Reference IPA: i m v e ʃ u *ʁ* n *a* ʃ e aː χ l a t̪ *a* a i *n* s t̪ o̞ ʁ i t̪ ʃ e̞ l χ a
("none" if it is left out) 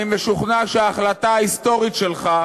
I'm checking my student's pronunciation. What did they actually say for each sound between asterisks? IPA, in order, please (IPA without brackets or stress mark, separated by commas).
χ, a, a, none